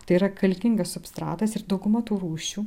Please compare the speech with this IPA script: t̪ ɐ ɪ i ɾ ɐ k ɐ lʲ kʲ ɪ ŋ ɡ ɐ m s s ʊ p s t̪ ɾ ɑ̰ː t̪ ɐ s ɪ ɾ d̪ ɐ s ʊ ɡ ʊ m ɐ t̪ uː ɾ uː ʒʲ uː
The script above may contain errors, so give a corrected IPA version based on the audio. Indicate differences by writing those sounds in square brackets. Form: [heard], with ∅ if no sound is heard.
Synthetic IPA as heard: t̪ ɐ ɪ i ɾ ɐ k ɐ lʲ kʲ ɪ ŋ ɡ ɐ [∅] s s ʊ p s t̪ ɾ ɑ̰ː t̪ ɐ s ɪ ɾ d̪ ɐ [∅] ʊ ɡ ʊ m ɐ t̪ uː ɾ uː [ʃʲ] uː